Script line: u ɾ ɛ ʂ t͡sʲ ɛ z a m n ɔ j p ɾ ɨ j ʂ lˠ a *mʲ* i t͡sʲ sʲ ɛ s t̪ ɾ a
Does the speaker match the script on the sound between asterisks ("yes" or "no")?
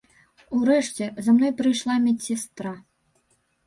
yes